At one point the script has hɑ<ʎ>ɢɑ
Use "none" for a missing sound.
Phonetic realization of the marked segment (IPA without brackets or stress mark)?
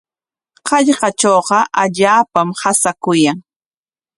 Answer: ʎ